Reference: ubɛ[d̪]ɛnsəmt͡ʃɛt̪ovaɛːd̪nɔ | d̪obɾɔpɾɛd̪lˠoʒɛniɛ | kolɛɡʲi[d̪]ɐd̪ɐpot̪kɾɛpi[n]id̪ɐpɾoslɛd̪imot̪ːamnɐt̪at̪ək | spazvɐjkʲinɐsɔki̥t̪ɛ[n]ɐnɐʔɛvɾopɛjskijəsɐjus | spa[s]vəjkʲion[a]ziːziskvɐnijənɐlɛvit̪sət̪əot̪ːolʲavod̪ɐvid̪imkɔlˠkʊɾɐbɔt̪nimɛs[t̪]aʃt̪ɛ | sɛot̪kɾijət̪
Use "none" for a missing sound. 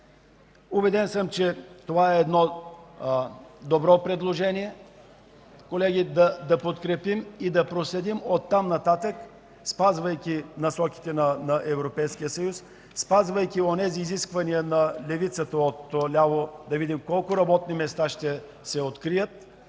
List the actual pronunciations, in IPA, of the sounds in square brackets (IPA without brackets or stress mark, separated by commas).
d̪, d̪, m, n, z, ɛ, t̪